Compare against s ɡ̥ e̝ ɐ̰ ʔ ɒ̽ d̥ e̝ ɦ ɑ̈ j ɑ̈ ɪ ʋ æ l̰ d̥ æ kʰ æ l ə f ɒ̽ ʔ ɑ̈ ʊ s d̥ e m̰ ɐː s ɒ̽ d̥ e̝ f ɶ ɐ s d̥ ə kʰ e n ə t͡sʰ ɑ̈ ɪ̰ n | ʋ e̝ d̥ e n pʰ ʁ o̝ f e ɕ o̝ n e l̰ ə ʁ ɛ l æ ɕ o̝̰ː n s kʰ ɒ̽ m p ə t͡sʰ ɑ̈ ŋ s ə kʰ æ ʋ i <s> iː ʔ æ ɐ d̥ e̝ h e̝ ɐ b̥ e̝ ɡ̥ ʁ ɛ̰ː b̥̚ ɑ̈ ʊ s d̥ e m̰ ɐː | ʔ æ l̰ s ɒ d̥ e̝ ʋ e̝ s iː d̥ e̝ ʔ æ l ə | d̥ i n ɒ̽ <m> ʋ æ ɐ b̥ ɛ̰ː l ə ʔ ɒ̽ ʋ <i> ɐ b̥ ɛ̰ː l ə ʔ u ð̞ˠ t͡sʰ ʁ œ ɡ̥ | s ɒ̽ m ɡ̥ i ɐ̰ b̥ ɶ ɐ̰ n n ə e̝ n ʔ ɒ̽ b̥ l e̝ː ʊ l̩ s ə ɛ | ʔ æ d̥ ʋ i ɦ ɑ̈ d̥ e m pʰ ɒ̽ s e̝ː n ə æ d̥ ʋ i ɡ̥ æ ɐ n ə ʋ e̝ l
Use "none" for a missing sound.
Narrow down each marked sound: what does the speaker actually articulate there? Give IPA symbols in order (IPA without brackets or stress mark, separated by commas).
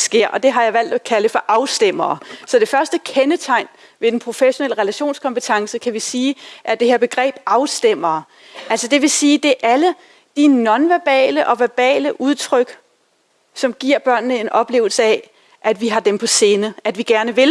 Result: s, n, æ